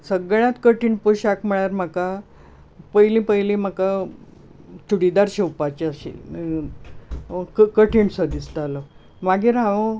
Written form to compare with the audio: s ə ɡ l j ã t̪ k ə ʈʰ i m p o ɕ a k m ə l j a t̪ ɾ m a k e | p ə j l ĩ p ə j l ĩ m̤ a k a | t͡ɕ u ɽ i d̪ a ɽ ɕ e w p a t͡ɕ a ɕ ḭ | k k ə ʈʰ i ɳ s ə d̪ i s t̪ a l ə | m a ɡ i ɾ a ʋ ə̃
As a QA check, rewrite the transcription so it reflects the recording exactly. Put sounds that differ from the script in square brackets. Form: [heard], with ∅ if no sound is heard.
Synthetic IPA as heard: s ə ɡ [ɭ] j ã t̪ k ə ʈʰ i [ɳ] p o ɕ a k m ə [ɭ] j a [∅] ɾ m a k [a] | p ə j l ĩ p ə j l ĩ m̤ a k a | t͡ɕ u ɽ i d̪ a [ɾ] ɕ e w p a t͡ɕ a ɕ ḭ | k k ə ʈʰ i ɳ s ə d̪ i s t̪ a l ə | m a ɡ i ɾ a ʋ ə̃